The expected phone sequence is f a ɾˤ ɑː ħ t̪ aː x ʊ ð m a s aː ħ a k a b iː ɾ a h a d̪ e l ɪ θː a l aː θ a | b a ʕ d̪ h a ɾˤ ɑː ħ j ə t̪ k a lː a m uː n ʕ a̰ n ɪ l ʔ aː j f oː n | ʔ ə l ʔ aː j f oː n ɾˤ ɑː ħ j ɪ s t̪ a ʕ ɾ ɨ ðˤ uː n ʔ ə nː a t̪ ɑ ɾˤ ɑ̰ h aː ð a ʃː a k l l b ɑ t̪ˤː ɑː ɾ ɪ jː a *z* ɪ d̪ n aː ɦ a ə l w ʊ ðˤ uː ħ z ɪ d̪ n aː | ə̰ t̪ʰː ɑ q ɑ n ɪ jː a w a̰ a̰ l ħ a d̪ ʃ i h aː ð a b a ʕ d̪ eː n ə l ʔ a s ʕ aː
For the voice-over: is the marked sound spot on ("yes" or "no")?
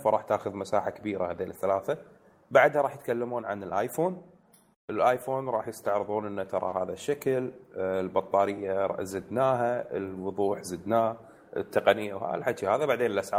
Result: yes